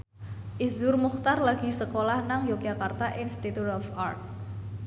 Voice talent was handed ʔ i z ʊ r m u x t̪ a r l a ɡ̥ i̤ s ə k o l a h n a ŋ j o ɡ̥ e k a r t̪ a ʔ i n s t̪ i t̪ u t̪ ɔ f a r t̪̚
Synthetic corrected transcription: ʔ i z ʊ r m u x t̪ a r l a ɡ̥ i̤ s ə k o l a h n a ŋ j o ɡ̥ a k a r t̪ a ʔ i n s t̪ i t̪ u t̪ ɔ f a r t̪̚